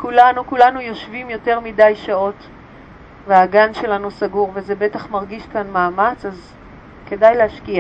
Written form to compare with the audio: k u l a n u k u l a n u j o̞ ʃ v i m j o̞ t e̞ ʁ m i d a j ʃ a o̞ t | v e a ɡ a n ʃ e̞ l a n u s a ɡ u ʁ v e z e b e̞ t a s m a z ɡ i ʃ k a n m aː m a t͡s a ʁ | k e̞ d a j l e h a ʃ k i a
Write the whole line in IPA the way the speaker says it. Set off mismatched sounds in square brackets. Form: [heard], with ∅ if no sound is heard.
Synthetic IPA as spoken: k u l a n u k u l a n u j o̞ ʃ v i m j o̞ t e̞ ʁ m i d a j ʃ a o̞ t | v e a ɡ a n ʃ e̞ l a n u s a ɡ u ʁ v e z e b e̞ t a [χ] m a [ʁ] ɡ i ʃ k a n m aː m a t͡s a [z] | k e̞ d a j l e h a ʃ k i a